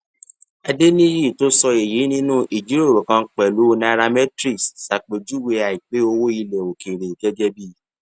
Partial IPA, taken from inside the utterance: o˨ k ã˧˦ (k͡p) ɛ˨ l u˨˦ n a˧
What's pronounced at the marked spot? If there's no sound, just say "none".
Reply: k͡p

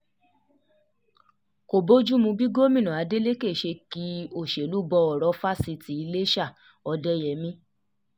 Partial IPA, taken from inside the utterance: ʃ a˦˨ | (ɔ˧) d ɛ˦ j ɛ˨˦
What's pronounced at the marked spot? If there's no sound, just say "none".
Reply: ɔ˧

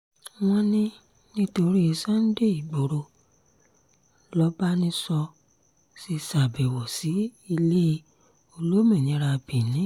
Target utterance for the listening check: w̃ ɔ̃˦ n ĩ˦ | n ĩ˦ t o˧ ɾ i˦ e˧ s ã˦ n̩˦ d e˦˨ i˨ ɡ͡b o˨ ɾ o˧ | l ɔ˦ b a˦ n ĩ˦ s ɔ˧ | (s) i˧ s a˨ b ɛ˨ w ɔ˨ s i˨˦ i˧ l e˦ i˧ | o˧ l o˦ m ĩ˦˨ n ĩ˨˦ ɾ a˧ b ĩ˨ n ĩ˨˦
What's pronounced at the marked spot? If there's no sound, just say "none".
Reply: s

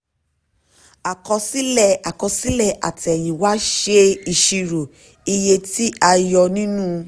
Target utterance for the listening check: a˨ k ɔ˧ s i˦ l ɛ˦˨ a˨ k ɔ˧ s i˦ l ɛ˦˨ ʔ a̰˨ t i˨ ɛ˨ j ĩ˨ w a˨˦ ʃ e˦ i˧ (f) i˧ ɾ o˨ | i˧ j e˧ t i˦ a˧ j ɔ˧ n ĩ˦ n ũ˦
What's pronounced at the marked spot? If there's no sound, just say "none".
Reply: ʃ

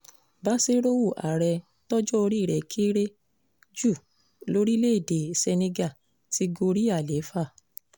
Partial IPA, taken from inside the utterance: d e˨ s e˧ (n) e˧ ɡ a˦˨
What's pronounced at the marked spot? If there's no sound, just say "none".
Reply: n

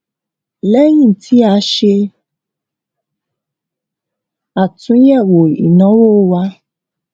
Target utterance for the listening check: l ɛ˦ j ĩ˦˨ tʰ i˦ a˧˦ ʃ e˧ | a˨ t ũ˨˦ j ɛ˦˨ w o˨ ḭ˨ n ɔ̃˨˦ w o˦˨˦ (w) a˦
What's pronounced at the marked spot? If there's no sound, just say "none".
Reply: w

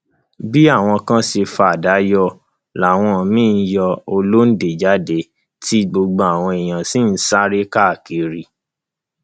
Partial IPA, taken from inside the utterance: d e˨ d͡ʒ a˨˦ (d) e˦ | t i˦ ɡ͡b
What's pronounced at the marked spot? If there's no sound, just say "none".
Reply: d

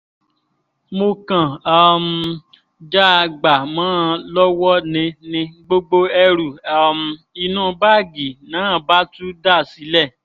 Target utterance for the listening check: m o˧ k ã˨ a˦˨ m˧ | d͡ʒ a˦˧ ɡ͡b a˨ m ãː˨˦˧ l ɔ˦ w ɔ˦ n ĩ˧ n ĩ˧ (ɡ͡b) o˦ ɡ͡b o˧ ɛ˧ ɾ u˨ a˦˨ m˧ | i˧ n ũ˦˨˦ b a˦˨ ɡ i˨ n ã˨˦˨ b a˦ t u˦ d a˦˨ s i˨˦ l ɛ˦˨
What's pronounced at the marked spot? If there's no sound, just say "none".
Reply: ɡ͡b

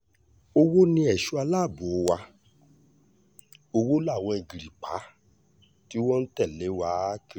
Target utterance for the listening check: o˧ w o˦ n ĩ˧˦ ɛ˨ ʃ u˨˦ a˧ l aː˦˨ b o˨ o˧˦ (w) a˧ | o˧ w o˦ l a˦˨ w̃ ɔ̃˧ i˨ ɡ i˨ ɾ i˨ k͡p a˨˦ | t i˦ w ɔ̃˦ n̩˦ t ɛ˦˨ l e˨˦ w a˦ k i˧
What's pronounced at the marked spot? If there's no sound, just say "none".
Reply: w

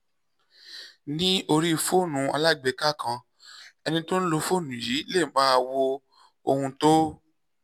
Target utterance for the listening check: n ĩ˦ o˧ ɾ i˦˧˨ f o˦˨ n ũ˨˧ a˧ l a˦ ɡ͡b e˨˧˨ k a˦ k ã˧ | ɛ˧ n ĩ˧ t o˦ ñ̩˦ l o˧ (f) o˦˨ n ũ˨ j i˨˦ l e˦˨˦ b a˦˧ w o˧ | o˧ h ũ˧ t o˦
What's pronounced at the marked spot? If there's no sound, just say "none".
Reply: f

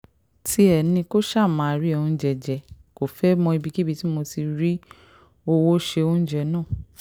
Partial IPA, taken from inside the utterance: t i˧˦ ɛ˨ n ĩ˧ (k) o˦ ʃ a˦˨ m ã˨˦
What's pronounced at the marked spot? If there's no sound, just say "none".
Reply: k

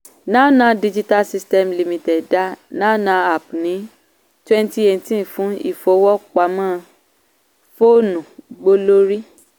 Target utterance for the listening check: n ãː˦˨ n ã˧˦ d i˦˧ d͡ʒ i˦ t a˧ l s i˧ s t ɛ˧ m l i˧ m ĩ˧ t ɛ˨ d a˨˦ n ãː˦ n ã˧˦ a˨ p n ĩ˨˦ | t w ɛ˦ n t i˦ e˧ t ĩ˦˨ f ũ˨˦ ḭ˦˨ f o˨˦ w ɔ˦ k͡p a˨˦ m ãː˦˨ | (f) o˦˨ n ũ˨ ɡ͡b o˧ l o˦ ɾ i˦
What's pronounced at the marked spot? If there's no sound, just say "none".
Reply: f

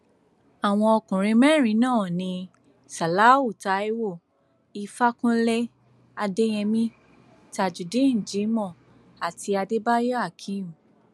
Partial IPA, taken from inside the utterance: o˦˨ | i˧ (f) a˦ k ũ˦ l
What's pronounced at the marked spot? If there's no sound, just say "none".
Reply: f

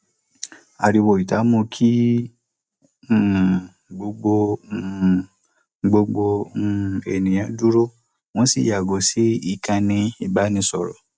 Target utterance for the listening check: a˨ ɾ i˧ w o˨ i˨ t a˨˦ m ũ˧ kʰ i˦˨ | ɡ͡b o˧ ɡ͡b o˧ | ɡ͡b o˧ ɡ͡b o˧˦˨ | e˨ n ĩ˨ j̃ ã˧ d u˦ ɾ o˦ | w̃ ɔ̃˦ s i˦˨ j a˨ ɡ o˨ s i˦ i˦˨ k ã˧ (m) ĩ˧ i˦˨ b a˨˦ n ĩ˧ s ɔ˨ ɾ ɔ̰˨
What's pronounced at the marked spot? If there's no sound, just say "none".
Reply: n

